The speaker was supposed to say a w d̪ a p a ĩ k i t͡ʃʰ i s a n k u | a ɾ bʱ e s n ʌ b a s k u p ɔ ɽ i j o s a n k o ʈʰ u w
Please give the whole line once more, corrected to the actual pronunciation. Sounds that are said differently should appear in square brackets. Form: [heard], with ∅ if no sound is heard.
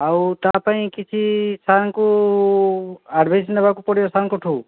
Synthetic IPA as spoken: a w [t̪] a p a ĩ k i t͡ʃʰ i s a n k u | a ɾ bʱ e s n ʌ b a [∅] k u p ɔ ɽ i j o s a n k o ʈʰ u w